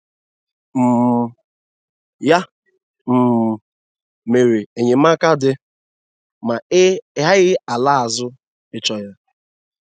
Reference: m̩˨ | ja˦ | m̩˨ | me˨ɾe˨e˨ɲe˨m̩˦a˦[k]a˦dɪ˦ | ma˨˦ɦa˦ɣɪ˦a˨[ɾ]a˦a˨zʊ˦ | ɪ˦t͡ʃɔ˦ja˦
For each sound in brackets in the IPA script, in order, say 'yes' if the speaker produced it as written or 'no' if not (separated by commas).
yes, no